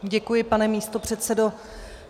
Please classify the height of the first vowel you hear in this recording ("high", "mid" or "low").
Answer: mid